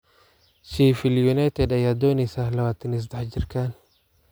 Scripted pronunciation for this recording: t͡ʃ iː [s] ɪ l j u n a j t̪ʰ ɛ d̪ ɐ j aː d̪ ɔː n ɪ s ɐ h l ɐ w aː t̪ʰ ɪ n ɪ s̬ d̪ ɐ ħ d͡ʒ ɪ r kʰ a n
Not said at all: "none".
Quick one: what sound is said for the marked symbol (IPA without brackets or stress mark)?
f